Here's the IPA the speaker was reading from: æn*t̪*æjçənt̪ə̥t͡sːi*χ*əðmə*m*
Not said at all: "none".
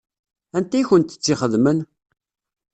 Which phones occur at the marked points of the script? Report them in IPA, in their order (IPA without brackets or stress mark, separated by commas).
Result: t̪, χ, n